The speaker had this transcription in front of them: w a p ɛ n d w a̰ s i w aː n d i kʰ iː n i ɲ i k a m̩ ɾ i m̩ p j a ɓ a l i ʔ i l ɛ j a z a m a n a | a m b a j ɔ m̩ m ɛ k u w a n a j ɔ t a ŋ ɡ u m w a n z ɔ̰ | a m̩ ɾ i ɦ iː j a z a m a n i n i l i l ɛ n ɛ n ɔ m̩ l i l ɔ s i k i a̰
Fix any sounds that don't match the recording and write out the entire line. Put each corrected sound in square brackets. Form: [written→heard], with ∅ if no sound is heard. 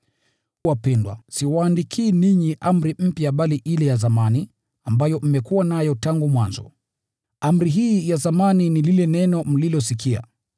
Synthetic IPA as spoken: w a p ɛ n d w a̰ s i w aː n d i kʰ iː n i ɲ i [k→ʔ] a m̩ ɾ i m̩ p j a ɓ a l i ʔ i l ɛ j a z a m a n [a→i] | a m b a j ɔ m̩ m ɛ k u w a n a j ɔ t a ŋ ɡ u m w a n z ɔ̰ | a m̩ ɾ i ɦ iː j a z a m a n i n i l i l ɛ n ɛ n ɔ m̩ l i l ɔ s i k i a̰